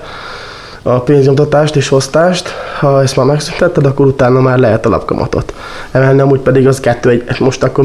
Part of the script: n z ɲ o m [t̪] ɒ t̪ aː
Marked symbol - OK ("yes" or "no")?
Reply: yes